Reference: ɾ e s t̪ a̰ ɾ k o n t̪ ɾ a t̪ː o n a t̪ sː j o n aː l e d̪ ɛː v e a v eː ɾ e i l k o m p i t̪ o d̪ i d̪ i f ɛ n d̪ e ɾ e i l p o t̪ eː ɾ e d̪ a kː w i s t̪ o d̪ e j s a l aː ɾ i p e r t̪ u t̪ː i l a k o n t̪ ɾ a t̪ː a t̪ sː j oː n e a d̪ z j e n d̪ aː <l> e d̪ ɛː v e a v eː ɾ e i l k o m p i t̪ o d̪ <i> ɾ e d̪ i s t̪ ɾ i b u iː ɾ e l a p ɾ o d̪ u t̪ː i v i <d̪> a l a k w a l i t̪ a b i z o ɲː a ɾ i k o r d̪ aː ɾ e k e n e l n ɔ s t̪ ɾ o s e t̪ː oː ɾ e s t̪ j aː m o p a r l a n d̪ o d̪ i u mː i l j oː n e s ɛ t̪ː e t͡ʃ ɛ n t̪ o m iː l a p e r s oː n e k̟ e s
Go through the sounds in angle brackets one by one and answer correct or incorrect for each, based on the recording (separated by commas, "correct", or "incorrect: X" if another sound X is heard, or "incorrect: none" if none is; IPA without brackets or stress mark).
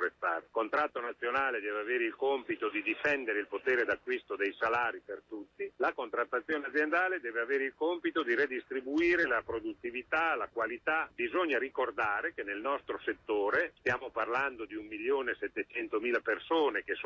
correct, correct, incorrect: t̪